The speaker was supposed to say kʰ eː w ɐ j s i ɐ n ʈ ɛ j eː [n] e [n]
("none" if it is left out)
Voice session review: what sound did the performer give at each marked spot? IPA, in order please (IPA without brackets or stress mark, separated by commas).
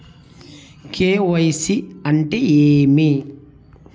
m, none